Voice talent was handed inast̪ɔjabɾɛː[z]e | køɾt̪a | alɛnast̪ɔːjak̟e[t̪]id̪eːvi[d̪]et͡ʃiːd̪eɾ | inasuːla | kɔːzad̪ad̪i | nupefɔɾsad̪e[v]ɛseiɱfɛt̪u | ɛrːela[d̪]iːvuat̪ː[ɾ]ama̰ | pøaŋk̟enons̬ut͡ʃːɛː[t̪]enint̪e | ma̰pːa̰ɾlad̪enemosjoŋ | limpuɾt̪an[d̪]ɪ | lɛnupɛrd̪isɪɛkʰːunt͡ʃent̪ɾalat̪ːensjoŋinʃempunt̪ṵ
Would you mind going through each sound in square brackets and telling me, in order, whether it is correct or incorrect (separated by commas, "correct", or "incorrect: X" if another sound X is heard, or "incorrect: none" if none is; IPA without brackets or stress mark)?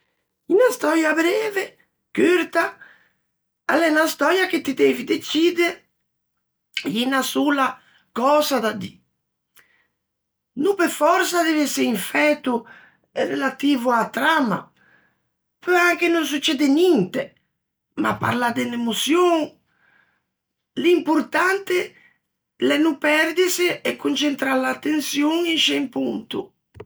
incorrect: v, correct, correct, correct, incorrect: t̪, correct, incorrect: d̪, incorrect: t̪